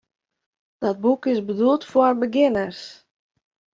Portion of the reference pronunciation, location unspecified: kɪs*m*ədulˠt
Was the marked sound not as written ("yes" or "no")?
yes